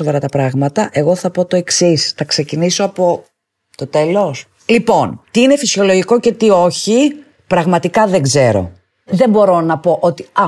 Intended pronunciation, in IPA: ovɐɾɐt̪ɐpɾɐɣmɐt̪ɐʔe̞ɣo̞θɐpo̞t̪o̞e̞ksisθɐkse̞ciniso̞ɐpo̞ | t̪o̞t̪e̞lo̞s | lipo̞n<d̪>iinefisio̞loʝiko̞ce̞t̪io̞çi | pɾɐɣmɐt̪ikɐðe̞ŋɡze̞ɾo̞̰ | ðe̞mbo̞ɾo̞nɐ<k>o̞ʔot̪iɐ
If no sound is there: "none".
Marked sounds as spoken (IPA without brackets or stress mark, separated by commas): t̪, p